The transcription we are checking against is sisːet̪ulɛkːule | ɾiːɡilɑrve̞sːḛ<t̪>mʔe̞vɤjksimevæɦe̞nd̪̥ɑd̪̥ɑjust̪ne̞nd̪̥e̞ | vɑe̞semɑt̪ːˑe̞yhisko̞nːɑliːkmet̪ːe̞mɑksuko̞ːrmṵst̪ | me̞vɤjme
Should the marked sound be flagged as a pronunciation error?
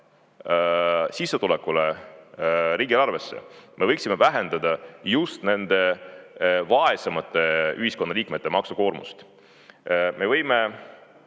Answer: yes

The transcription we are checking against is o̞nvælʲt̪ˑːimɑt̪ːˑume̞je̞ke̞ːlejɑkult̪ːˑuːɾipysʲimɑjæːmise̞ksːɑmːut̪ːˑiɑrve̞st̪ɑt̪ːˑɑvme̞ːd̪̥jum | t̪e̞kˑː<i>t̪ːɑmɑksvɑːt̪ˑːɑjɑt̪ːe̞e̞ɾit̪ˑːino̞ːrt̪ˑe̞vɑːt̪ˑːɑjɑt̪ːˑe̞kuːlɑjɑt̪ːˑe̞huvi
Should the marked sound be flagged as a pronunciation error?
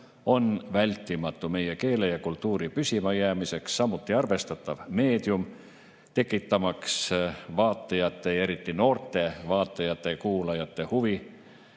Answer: no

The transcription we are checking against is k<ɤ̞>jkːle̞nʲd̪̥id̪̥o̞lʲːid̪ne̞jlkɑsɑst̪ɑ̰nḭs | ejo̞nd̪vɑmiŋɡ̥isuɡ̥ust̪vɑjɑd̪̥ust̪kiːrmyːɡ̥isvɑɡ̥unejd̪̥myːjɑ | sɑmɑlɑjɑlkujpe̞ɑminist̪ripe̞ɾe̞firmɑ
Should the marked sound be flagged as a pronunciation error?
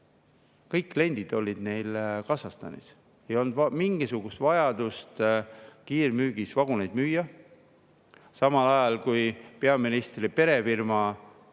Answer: no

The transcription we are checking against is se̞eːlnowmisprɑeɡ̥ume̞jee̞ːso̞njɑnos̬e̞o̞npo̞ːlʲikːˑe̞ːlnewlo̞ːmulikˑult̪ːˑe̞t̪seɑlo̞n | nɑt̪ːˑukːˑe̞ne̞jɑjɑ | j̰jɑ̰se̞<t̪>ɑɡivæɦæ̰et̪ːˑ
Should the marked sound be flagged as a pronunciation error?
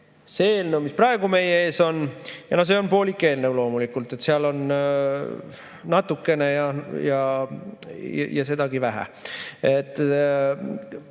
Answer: yes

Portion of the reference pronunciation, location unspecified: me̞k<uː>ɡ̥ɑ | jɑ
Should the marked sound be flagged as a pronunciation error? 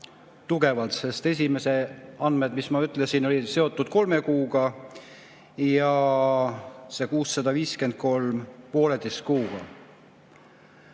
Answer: no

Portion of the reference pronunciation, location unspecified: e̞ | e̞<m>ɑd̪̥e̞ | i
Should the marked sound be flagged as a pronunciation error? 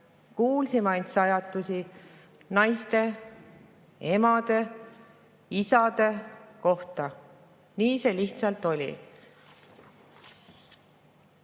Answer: no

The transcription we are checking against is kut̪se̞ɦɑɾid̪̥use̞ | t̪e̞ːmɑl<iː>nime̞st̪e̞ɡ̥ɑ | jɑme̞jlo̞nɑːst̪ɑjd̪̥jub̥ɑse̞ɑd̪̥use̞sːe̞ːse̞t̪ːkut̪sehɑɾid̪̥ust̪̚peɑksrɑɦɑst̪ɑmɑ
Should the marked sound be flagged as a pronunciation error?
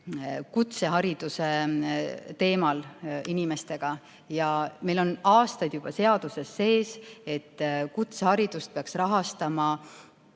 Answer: yes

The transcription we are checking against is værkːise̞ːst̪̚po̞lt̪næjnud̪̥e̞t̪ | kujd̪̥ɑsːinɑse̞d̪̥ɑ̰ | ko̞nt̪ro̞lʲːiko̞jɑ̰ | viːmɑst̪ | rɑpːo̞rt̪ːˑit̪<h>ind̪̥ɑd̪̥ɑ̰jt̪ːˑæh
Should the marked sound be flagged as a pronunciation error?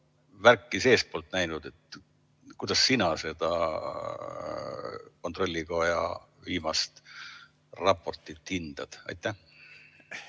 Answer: no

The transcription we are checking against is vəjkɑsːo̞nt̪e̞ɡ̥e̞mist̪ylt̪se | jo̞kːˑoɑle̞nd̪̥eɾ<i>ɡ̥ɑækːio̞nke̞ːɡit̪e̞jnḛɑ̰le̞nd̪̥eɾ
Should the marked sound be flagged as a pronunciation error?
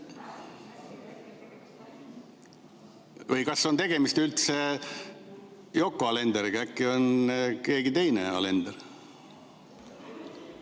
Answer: no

